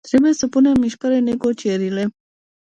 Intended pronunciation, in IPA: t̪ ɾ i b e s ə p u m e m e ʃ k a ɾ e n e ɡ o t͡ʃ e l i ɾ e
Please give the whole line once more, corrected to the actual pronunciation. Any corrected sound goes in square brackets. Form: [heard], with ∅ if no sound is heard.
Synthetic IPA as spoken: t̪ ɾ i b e s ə p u [n] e m [i] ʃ k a ɾ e n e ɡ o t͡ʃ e [ɾ] i [l] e